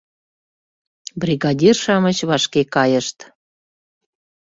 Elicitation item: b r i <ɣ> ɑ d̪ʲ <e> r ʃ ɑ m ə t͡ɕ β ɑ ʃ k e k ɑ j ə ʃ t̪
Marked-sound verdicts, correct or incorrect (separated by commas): correct, incorrect